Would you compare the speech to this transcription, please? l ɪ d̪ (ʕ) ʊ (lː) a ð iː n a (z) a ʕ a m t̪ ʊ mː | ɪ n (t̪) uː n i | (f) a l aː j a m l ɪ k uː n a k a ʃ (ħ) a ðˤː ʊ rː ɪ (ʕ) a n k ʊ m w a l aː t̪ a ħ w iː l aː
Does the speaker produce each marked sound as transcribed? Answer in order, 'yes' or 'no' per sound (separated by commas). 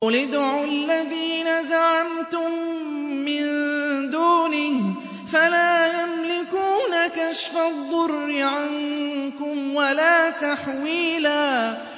yes, yes, yes, no, yes, no, yes